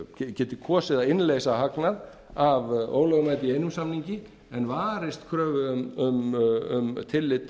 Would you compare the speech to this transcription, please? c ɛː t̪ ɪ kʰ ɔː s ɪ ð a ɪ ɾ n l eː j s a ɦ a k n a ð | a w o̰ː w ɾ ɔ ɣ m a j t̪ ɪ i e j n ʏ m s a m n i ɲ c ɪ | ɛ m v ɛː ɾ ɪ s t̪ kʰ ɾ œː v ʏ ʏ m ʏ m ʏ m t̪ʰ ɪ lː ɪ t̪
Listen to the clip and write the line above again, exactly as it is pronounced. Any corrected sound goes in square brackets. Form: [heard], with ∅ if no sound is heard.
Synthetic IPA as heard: c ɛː t̪ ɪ kʰ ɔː s ɪ ð a ɪ [∅] n l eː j s a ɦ a k n a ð | a [v] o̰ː w [l] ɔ ɣ m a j t̪ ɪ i e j n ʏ m s a m n i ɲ c ɪ | ɛ [n] v [aː] ɾ ɪ s t̪ kʰ ɾ œː v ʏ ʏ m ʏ m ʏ m t̪ʰ ɪ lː ɪ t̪